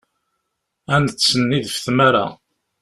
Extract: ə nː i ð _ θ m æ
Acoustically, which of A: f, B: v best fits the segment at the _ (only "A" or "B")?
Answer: A